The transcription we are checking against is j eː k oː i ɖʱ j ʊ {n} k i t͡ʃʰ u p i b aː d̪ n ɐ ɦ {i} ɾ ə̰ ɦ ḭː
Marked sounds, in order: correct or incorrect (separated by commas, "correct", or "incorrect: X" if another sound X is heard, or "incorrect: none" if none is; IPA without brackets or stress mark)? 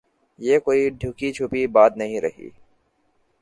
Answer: incorrect: none, incorrect: ĩ